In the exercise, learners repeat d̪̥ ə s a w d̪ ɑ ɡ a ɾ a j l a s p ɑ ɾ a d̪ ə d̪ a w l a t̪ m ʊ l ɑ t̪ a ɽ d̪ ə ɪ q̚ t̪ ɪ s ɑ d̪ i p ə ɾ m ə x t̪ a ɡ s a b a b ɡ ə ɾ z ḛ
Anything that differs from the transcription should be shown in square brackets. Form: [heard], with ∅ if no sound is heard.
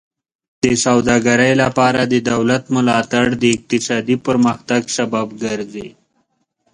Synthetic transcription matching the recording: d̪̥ ə s a w d̪ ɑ ɡ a ɾ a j l a [∅] p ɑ ɾ a d̪ ə d̪ a w l a t̪ m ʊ l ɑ t̪ a ɽ d̪ ə ɪ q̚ t̪ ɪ s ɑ d̪ i p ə ɾ m ə x t̪ a ɡ s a b a b ɡ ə ɾ z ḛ